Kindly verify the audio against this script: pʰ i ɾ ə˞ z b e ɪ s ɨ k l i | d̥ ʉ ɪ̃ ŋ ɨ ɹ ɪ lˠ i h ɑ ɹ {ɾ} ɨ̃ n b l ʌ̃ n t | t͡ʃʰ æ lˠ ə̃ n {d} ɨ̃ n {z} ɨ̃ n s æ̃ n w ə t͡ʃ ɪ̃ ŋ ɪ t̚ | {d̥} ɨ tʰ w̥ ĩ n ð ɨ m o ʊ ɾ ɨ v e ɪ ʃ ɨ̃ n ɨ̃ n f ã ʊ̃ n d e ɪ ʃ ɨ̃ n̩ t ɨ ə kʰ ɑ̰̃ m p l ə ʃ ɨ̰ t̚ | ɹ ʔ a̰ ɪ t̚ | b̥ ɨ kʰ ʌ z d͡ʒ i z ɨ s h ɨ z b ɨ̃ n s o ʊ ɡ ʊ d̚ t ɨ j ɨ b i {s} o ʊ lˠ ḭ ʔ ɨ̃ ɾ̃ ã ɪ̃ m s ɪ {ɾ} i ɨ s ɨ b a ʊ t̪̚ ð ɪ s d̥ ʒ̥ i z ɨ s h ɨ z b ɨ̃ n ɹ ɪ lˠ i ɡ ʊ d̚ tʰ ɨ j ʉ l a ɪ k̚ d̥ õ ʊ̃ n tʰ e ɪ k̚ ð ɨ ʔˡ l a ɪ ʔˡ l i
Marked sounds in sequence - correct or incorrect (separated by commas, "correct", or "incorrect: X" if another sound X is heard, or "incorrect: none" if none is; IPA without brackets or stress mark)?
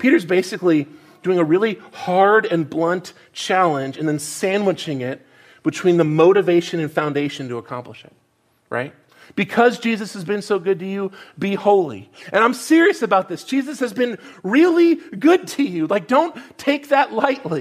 correct, incorrect: d͡ʒ, incorrect: ð, incorrect: b̥, incorrect: h, incorrect: ɹ